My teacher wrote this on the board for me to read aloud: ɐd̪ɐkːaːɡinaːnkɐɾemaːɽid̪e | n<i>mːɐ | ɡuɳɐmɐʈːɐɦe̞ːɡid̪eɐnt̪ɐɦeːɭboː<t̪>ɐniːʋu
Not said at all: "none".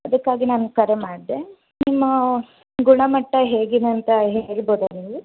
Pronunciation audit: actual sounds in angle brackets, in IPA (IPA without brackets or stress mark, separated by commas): i, d̪